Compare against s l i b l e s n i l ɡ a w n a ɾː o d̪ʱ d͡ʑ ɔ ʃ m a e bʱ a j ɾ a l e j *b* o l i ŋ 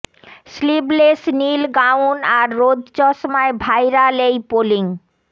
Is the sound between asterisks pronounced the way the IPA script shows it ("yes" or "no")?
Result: no